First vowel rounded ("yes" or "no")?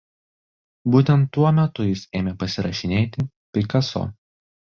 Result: yes